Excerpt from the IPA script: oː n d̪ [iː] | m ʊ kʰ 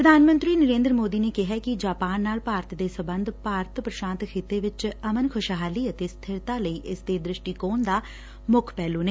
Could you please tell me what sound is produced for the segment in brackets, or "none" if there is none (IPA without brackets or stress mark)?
aː